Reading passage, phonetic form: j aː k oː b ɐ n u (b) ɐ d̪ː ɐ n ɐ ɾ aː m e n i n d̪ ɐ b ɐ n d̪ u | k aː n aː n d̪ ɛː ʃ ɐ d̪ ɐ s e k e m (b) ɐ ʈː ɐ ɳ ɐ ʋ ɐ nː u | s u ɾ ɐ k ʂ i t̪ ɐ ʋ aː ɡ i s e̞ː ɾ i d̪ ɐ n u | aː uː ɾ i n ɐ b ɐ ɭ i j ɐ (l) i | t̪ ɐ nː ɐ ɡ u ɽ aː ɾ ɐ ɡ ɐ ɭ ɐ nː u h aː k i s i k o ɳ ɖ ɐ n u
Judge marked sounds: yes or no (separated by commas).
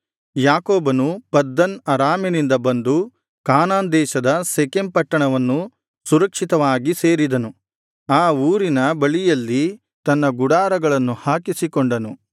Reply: no, no, no